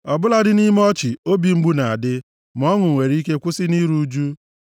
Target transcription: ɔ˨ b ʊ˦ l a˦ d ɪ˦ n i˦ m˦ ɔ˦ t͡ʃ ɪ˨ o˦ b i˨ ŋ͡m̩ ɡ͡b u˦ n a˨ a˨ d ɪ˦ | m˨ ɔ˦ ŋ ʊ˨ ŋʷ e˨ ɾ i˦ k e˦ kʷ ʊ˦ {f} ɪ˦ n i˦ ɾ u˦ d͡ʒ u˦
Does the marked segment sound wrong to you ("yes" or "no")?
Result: yes